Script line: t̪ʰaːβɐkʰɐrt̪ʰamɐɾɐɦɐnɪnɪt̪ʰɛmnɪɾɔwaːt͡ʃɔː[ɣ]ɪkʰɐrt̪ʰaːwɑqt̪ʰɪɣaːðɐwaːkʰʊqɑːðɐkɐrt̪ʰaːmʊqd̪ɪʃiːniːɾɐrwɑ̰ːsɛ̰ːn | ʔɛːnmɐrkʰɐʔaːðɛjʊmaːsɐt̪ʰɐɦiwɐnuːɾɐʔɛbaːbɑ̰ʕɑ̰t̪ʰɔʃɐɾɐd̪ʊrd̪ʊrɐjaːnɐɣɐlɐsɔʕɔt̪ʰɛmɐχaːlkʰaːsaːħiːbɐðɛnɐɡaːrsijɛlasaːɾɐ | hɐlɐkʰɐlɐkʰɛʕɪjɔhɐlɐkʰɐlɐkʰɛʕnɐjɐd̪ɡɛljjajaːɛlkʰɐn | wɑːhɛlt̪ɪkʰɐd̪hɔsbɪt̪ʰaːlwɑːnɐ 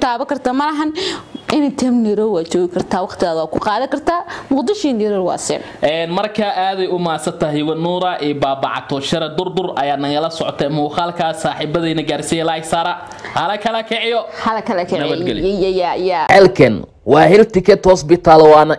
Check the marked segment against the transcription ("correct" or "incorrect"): correct